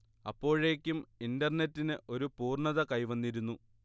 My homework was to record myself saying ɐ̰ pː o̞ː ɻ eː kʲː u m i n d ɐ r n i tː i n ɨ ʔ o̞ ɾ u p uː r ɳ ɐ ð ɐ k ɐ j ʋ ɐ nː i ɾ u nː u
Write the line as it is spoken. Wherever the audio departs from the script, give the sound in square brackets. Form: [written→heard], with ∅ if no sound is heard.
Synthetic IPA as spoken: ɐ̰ pː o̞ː ɻ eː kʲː u m i n d ɐ r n [i→e] tː i n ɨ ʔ o̞ ɾ u p uː r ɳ ɐ ð ɐ k ɐ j ʋ ɐ nː i ɾ u nː u